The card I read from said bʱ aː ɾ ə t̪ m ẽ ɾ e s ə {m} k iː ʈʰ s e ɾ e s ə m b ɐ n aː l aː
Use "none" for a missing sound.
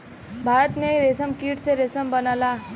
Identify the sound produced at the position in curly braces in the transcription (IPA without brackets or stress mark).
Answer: m